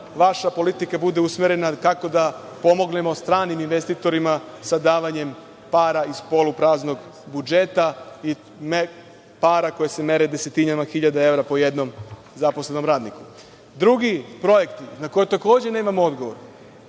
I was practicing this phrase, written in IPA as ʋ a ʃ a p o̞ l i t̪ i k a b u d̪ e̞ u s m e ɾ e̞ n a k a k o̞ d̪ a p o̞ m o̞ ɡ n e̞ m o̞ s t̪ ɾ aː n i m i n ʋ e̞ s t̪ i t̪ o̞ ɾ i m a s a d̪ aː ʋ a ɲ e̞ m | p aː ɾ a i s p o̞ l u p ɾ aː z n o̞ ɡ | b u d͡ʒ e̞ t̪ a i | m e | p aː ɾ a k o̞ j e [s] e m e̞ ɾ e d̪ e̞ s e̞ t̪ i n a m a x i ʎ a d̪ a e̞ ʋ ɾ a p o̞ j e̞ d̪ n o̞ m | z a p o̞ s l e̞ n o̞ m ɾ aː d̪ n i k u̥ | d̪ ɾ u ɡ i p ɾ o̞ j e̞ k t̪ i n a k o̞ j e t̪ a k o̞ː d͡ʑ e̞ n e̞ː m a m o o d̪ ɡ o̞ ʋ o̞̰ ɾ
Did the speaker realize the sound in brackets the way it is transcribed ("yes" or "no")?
yes